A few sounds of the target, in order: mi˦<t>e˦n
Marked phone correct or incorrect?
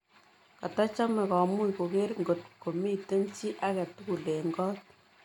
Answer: correct